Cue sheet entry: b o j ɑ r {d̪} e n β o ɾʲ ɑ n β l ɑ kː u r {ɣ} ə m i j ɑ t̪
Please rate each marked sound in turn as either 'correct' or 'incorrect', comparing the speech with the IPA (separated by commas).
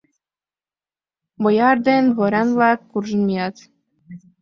correct, incorrect